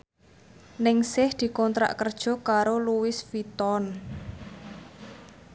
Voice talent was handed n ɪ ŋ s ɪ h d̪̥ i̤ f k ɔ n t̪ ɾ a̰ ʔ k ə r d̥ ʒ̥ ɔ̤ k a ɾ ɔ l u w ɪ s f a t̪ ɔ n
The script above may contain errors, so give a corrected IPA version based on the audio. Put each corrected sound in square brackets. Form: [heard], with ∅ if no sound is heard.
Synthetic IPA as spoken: n ɪ ŋ s ɪ h d̪̥ i̤ [∅] k ɔ n t̪ ɾ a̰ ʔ k ə r d̥ ʒ̥ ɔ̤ k a ɾ [o] l u w ɪ s f [i] t̪ ɔ n